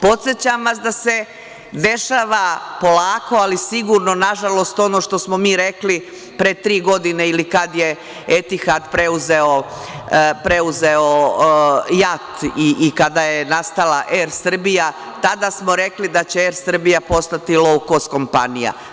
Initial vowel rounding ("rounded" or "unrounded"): rounded